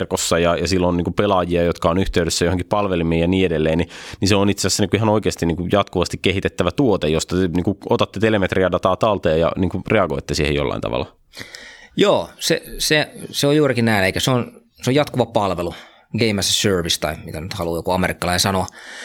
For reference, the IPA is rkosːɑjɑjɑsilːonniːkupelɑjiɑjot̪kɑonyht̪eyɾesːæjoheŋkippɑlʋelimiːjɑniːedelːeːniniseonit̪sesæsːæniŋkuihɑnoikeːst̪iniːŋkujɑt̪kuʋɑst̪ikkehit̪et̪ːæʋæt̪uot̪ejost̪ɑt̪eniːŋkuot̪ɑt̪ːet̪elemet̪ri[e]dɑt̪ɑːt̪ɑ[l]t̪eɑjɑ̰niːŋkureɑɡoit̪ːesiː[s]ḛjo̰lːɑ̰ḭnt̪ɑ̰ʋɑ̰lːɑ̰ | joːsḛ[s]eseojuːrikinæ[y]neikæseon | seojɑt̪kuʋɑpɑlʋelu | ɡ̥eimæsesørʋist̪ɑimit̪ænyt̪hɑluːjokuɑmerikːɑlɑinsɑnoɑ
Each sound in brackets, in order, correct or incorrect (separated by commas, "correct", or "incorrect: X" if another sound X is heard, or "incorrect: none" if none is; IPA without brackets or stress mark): incorrect: æ, correct, incorrect: h, correct, incorrect: i